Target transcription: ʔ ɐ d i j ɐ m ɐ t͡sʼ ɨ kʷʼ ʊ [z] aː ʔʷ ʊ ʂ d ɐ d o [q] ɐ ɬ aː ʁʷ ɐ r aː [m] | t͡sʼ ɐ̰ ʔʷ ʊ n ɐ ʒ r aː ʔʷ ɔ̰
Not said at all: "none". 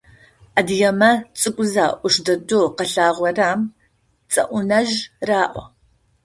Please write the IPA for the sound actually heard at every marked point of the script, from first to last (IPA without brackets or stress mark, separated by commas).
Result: z, q, m